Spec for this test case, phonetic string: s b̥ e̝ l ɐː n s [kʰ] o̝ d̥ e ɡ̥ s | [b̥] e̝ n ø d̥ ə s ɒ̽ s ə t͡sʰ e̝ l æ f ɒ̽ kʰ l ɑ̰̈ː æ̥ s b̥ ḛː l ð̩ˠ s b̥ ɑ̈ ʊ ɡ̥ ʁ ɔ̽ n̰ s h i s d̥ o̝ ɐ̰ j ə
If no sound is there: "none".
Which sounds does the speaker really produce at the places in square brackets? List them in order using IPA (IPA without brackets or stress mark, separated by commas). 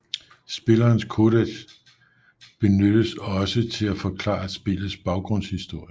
kʰ, b̥